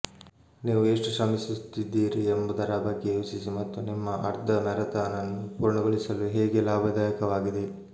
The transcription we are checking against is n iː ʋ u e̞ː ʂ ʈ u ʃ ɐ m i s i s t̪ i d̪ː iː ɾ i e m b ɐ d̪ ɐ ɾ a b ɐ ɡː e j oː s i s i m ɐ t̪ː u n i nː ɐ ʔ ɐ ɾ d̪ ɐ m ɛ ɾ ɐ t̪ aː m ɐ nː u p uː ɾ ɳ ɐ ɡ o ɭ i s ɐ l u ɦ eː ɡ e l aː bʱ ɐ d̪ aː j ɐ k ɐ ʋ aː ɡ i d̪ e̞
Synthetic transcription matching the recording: n iː ʋ u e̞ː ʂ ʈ u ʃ ɐ m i s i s t̪ i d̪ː iː ɾ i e m b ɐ d̪ ɐ ɾ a b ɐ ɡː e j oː s i s i m ɐ t̪ː u n i mː ɐ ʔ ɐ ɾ d̪ ɐ m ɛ ɾ ɐ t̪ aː n ɐ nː u p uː ɾ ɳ ɐ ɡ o ɭ i s ɐ l u ɦ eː ɡ e l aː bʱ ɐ d̪ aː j ɐ k ɐ ʋ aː ɡ i d̪ e̞